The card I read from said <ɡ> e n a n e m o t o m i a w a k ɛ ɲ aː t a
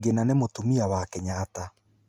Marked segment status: correct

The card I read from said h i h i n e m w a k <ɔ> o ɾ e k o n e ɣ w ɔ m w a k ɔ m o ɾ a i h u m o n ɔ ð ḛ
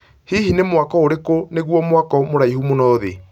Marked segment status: correct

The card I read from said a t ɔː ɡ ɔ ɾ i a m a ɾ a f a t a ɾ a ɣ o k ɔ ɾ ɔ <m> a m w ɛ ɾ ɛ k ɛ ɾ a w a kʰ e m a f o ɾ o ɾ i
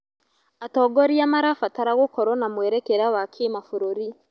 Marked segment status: incorrect: n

